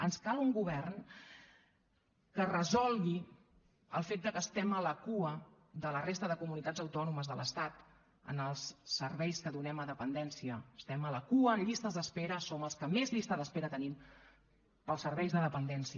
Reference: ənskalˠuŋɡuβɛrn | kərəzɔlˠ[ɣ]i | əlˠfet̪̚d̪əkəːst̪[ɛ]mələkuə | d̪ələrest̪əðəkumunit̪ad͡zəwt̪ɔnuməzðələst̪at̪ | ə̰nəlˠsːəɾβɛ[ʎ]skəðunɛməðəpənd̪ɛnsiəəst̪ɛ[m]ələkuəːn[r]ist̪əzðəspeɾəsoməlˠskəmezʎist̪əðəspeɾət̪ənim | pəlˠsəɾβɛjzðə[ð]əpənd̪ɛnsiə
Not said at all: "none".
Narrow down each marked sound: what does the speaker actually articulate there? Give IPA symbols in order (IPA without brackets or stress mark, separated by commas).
ɣ, ɛ, j, m, ʎ, ð